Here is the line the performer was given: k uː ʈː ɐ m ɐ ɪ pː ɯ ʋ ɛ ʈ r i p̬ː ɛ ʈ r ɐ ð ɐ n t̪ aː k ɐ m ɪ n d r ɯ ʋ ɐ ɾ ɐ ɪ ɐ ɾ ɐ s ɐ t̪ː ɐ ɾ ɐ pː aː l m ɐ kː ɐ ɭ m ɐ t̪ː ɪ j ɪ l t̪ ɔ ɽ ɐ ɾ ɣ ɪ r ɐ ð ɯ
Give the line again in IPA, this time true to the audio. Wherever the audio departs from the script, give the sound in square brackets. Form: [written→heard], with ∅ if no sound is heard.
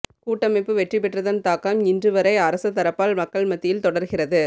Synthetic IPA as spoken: k uː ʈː ɐ m ɐ ɪ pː ɯ ʋ ɛ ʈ r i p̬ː ɛ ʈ r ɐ ð ɐ n t̪ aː k ɐ m ɪ n d r ɯ ʋ ɐ ɾ ɐ ɪ ɐ ɾ ɐ s ɐ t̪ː ɐ ɾ ɐ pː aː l m ɐ kː ɐ ɭ m ɐ t̪ː ɪ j ɪ l t̪ ɔ ɽ ɐ ɾ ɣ ɪ r ɐ ð ɯ